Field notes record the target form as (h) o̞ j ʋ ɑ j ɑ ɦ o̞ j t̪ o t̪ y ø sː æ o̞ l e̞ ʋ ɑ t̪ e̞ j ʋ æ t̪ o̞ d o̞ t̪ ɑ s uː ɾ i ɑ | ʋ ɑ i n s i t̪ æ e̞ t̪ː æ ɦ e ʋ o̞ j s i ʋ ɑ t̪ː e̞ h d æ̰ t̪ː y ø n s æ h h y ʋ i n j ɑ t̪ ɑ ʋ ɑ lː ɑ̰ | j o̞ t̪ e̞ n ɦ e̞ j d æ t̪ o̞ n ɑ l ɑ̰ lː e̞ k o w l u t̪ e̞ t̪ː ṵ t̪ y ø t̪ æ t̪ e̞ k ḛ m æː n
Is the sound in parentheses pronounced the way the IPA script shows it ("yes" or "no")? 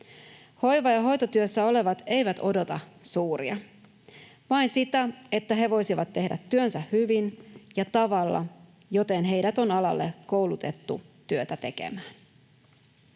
yes